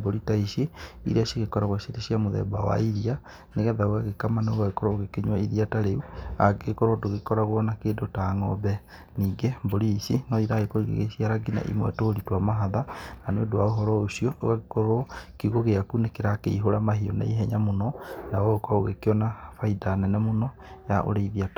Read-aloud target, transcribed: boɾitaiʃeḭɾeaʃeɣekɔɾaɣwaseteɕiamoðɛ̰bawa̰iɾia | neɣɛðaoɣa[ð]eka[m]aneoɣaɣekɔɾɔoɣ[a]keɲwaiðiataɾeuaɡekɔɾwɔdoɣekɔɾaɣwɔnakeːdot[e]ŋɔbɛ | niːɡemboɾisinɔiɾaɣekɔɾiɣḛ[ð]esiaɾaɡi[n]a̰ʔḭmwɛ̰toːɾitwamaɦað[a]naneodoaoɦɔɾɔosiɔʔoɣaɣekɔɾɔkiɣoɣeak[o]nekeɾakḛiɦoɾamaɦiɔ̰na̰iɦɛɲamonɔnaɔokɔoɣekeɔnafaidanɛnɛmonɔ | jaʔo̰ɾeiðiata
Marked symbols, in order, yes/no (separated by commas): no, yes, no, no, no, yes, yes, no